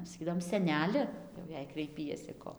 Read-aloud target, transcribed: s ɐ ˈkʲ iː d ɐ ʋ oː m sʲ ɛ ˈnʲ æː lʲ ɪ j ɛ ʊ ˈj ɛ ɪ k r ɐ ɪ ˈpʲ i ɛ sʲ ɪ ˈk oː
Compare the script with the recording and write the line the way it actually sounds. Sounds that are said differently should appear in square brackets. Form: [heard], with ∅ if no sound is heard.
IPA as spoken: s ɐ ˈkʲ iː d ɐ ʋ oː m sʲ ɛ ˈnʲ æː lʲ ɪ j ɛ ʊ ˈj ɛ ɪ k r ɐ ɪ ˈpʲ i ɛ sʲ ɪ ˈk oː